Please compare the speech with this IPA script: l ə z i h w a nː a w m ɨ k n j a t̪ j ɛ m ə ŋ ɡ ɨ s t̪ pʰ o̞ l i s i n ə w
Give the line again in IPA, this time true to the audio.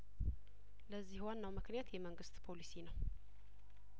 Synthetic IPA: l ə zː i h w a nː a w m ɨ k n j a t̪ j ɛ m ə ŋ ɡ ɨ s t̪ pʰ o̞ l i s i n ə w